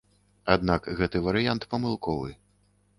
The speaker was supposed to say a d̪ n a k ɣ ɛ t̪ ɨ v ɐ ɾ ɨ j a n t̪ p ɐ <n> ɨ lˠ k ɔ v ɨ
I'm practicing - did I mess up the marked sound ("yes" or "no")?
yes